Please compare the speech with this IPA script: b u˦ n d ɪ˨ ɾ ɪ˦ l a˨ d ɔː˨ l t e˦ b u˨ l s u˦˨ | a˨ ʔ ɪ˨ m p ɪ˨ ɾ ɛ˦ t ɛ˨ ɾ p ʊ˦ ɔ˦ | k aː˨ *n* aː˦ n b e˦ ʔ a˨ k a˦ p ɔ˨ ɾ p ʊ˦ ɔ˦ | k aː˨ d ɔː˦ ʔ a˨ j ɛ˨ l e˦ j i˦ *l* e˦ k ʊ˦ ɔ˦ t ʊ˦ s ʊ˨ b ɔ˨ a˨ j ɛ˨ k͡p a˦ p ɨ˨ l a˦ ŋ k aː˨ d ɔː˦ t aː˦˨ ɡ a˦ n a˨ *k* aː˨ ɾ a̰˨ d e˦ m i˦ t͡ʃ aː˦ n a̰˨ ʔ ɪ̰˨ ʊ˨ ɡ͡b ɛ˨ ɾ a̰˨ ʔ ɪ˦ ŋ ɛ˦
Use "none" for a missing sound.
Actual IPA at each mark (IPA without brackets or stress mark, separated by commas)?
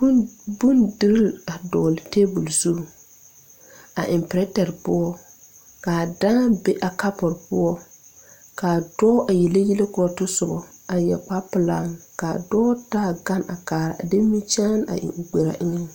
d, l, k